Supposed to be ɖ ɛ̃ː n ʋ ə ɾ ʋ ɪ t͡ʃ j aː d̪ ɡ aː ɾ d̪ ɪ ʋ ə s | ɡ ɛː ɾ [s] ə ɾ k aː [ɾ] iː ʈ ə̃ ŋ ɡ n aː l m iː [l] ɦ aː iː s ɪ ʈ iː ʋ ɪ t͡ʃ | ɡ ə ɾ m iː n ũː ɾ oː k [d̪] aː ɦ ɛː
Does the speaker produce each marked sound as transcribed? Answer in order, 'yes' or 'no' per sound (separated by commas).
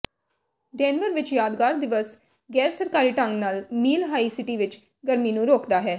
yes, yes, yes, yes